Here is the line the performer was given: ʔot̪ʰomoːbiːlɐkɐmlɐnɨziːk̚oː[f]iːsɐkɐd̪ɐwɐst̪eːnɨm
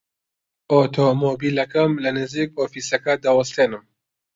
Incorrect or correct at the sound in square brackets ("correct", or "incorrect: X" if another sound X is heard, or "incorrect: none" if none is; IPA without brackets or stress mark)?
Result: correct